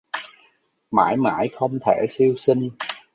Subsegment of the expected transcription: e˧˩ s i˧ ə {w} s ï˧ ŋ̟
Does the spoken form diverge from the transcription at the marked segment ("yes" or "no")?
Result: no